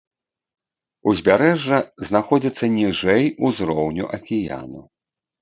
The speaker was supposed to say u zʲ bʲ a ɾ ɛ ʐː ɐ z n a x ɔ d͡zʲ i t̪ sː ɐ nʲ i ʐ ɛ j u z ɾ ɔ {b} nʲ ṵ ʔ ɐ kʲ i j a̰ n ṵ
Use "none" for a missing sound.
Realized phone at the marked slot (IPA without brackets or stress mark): w